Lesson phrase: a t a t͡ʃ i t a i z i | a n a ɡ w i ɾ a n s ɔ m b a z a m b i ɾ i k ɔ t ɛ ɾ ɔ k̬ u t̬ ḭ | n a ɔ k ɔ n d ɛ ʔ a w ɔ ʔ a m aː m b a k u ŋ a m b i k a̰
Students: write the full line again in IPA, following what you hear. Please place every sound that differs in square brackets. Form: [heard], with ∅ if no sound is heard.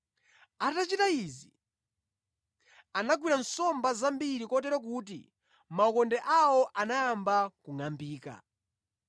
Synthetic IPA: a t a t͡ʃ i t a i z i | a n a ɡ w i ɾ a n s ɔ m b a z a m b i ɾ i k ɔ t ɛ ɾ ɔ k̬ u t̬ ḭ | [m] a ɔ k ɔ n d ɛ ʔ a w ɔ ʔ a [n] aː m b a k u ŋ a m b [iː] k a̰

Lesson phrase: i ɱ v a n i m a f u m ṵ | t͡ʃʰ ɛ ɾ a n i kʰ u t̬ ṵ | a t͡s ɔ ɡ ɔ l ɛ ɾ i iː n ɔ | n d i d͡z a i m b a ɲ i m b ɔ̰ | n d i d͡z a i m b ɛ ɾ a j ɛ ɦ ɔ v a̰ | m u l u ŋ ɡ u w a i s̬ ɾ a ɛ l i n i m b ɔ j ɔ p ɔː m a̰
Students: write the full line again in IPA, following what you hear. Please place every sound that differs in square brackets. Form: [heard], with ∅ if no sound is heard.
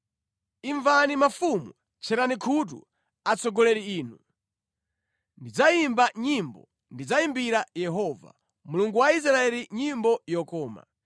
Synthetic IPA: i ɱ v a n i m a f u m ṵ | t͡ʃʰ ɛ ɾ a n i kʰ u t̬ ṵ | a t͡s ɔ ɡ ɔ l ɛ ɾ i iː n [u] | n d i d͡z a i m b a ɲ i m b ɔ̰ | n d i d͡z a i m b [i] ɾ a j ɛ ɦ ɔ v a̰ | m u l u ŋ ɡ u w a i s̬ ɾ a ɛ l i [ɲ] i m b ɔ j ɔ [k] ɔː m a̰

